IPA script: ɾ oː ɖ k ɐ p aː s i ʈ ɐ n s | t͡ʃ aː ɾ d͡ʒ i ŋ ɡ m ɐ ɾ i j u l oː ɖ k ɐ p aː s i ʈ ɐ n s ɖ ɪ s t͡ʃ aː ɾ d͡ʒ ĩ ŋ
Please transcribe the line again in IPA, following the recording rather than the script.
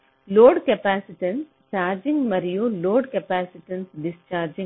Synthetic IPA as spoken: l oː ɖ k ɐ p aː s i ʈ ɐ n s | t͡ʃ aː ɾ d͡ʒ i ŋ ɡ m ɐ ɾ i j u l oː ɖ k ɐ p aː s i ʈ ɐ n s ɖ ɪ s t͡ʃ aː ɾ d͡ʒ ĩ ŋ